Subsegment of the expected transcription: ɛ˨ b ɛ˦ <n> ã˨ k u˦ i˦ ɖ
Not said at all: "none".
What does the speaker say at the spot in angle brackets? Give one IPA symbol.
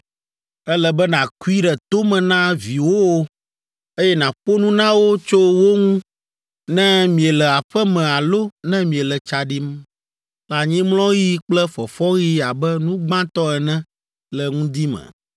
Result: n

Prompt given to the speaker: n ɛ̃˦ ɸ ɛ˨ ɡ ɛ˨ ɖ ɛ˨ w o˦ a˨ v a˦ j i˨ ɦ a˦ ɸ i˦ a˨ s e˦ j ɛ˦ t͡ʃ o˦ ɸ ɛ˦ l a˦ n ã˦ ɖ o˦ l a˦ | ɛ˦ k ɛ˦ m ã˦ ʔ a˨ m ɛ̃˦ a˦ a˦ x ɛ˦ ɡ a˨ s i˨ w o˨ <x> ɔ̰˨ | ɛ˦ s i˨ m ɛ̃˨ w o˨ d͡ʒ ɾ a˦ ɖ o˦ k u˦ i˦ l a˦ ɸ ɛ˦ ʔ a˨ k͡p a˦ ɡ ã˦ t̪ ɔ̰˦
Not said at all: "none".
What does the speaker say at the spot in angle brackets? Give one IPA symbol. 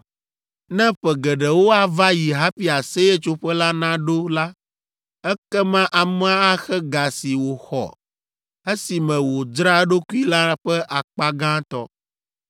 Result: x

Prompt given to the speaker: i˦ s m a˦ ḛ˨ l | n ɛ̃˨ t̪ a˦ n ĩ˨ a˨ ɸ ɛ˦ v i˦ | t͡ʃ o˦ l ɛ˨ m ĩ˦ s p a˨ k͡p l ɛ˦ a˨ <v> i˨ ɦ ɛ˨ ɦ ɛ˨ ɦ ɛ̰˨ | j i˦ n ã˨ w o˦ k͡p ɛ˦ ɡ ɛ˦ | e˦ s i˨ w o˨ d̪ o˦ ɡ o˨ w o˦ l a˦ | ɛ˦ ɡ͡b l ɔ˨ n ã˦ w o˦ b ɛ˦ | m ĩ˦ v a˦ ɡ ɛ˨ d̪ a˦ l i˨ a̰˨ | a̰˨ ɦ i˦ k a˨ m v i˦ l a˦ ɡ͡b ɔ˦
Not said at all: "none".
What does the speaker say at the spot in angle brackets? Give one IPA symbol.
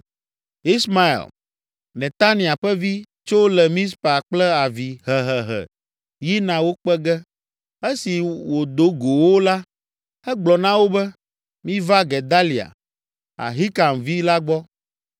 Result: v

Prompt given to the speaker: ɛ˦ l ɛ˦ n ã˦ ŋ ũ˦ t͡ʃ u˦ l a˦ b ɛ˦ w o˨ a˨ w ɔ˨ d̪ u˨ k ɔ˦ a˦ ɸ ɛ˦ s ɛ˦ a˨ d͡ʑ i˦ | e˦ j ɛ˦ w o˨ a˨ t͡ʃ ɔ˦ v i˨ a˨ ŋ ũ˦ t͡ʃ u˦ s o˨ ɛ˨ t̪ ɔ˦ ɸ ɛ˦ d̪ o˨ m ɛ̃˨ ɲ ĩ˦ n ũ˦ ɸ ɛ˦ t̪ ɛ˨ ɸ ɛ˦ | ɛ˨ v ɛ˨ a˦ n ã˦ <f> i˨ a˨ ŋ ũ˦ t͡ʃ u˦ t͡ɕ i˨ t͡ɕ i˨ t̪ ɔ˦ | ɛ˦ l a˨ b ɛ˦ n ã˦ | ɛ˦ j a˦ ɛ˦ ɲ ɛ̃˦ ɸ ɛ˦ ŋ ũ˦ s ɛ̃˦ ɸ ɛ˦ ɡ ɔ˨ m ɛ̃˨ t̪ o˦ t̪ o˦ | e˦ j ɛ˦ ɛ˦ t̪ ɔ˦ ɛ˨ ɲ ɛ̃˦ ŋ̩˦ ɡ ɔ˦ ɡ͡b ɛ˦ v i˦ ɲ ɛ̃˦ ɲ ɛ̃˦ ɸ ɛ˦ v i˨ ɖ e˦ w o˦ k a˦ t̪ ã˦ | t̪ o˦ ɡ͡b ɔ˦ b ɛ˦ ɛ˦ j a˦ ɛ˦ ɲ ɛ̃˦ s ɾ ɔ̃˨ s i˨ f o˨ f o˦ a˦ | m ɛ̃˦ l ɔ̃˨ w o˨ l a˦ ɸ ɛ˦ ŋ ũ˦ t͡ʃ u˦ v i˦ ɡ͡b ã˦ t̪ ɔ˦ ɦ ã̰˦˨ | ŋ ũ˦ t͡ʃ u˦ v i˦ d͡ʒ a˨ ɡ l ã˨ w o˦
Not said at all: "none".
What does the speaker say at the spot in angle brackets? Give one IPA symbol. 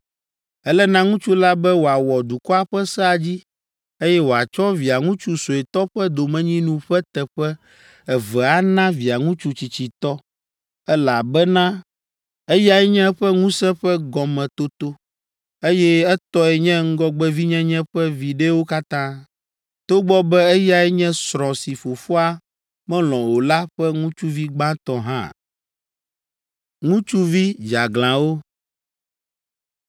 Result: v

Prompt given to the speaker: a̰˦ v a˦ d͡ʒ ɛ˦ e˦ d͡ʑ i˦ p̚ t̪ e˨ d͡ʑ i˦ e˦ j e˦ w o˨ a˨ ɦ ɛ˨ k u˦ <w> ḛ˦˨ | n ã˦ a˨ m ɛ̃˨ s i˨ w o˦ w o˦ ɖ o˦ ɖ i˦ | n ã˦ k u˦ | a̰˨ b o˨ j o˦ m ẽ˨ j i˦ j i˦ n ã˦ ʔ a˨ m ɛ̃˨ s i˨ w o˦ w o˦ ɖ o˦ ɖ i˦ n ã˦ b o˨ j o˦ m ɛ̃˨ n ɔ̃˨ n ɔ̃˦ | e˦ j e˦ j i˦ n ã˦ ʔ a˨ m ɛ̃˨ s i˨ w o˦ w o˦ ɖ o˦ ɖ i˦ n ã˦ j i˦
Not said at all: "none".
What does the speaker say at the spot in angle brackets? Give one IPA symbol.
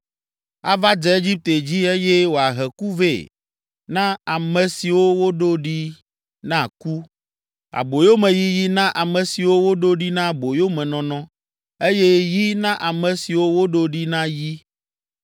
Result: v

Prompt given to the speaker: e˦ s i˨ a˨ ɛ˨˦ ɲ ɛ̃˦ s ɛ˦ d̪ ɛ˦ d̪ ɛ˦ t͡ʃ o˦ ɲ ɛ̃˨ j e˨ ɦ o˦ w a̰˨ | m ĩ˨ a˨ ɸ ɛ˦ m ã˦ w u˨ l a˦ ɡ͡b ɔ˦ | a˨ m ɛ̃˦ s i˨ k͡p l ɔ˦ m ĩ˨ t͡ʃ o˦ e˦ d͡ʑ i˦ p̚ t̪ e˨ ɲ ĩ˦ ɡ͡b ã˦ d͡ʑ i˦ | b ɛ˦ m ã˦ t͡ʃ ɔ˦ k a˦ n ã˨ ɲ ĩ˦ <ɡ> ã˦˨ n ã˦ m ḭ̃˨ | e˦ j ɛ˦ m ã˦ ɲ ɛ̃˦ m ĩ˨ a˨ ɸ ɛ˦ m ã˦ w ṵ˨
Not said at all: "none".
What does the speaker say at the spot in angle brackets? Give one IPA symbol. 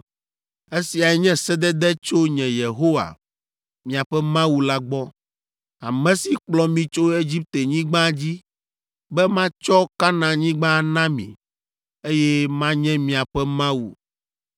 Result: ɡ͡b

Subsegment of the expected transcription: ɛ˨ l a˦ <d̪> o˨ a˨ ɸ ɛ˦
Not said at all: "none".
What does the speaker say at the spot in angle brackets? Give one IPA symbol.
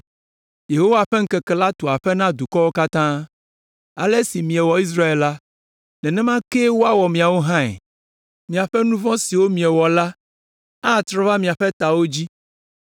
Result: t̪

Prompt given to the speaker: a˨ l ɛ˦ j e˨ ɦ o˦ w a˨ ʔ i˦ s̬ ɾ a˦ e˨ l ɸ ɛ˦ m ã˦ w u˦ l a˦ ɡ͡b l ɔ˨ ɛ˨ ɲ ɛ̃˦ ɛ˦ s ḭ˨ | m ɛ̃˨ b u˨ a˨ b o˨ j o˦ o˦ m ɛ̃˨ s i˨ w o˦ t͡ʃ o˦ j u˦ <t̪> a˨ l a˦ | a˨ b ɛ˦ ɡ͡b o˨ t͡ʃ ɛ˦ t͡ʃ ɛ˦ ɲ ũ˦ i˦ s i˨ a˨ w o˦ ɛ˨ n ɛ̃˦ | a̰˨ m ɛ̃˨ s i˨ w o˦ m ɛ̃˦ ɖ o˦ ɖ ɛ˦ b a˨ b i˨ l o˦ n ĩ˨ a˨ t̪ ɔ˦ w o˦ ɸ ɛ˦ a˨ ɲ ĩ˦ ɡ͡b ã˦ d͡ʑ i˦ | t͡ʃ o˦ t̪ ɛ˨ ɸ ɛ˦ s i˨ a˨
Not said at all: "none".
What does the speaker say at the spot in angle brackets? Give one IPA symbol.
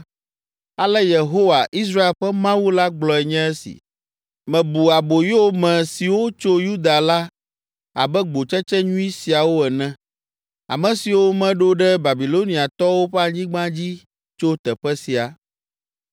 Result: d̪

